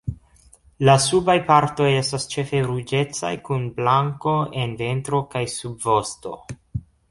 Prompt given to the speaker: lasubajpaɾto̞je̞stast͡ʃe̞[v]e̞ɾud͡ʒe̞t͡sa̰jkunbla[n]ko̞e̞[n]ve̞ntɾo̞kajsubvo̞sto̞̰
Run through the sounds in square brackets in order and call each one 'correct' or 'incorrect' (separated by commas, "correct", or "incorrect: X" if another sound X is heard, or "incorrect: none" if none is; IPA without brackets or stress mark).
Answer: incorrect: f, incorrect: ŋ, correct